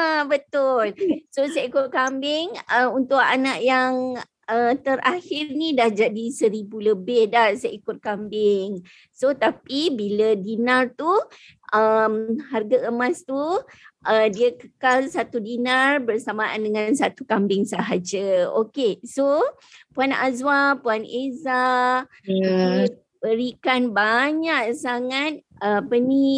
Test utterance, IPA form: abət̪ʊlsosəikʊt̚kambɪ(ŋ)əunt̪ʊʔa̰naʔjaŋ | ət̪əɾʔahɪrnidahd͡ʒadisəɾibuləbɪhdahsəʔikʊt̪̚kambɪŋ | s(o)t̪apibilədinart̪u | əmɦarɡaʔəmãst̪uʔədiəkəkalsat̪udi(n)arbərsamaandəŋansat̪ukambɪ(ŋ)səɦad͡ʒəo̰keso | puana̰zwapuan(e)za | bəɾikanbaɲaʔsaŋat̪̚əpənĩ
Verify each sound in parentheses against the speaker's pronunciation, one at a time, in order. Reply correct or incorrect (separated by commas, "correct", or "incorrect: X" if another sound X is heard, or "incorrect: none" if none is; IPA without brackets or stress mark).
correct, correct, correct, correct, correct